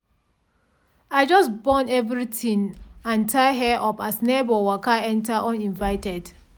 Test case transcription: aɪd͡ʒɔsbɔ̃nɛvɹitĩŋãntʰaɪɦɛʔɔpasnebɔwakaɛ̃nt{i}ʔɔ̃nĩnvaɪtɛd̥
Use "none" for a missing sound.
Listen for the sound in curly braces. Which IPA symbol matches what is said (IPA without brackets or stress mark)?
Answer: a